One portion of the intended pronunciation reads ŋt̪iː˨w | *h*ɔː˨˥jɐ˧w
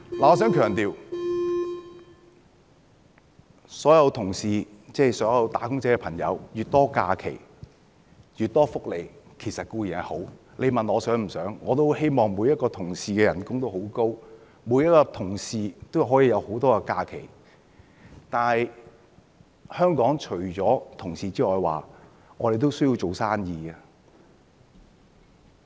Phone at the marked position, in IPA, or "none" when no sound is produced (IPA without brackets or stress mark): s